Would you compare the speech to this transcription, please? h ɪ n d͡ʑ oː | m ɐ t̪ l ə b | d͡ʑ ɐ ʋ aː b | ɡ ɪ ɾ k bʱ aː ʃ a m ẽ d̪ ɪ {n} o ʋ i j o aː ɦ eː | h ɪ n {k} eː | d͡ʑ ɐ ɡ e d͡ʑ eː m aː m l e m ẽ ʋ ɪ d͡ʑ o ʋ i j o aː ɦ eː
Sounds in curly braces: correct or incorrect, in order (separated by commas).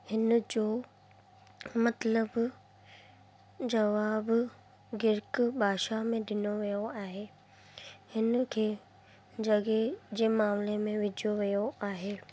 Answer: correct, incorrect